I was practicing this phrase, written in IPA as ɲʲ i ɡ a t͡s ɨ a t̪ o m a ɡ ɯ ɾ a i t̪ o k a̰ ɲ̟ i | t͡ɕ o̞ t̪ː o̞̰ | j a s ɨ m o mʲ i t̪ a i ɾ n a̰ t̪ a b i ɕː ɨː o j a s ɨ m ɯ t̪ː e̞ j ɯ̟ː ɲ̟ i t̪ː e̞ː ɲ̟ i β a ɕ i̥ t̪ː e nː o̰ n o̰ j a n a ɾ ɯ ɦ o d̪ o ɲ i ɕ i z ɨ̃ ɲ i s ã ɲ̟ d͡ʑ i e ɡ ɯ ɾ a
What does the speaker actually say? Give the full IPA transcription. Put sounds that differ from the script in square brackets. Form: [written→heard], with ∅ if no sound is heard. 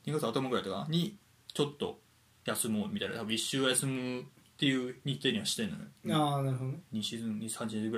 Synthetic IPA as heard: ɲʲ i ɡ a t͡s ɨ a t̪ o m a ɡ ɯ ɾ a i t̪ o k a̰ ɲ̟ i | t͡ɕ o̞ t̪ː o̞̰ | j a s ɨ m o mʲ i t̪ a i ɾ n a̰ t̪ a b i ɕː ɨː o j a s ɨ m ɯ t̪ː e̞ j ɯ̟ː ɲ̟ i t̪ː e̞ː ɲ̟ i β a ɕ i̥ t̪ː e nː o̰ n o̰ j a n a ɾ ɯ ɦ o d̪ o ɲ i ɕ i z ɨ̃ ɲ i s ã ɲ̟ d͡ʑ i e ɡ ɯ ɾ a